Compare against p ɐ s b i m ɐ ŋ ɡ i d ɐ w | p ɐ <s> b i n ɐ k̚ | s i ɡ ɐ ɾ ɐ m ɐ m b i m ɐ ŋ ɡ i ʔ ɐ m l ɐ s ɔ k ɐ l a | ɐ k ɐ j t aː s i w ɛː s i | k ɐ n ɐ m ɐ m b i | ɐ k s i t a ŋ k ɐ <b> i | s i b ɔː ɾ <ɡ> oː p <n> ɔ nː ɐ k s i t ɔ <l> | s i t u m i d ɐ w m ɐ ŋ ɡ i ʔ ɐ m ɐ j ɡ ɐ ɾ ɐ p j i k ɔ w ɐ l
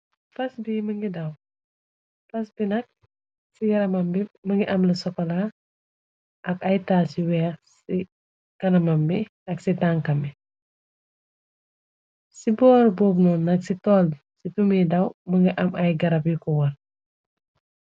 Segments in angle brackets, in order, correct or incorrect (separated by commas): correct, incorrect, incorrect, correct, correct